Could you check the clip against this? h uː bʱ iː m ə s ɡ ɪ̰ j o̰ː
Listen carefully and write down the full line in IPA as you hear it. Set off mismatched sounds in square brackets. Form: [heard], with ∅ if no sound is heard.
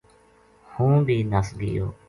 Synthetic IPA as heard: h [ũː] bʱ iː [n] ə s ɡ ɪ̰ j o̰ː